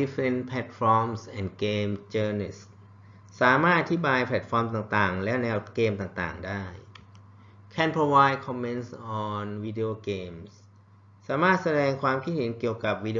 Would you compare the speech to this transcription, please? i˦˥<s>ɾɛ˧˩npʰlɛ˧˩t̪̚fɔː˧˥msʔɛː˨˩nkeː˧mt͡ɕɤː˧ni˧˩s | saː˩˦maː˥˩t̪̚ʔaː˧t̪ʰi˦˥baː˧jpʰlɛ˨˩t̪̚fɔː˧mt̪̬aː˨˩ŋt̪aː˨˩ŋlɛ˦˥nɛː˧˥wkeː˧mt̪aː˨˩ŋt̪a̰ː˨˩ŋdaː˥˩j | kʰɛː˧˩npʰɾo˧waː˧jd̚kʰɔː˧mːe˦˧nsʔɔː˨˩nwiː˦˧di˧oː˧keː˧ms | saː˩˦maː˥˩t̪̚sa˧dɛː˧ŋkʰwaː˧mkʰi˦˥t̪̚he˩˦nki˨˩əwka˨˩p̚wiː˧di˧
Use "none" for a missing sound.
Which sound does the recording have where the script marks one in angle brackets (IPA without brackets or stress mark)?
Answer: f